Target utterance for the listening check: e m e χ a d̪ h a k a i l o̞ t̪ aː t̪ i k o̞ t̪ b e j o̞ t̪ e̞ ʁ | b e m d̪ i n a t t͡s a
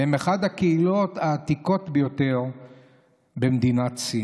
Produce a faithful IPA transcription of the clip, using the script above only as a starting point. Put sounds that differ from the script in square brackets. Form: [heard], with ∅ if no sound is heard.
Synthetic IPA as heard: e m e χ a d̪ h a k [e] i l o̞ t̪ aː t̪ i k o̞ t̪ b e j o̞ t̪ e̞ ʁ | b e m d̪ i n a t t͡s [i]